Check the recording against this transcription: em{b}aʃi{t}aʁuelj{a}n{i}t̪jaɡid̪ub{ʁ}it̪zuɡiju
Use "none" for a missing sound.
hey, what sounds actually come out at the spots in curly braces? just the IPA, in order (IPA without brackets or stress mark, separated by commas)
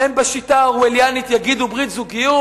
b, t, a, i, ʁ